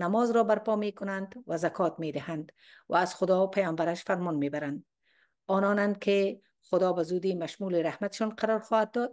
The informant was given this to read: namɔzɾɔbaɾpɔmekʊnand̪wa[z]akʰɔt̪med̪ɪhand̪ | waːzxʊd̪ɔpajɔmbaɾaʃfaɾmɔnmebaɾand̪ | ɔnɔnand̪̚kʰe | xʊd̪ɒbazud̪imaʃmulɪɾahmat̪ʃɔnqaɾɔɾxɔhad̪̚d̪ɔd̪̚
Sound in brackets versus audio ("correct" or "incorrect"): correct